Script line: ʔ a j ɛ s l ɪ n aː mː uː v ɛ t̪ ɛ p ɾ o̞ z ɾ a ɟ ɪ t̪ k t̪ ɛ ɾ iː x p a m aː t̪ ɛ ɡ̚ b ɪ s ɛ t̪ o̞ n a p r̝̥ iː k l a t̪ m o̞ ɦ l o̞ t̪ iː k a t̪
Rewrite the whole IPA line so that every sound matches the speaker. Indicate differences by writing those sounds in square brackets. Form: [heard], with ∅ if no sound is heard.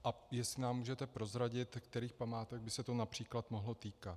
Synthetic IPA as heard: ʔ a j ɛ s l ɪ n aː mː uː [ʒ] ɛ t̪ ɛ p ɾ o̞ z ɾ a ɟ ɪ t̪ k t̪ ɛ ɾ iː x p a m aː t̪ ɛ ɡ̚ b ɪ s ɛ t̪ o̞ n a p r̝̥ iː k l a t̪ m o̞ ɦ l o̞ t̪ iː k a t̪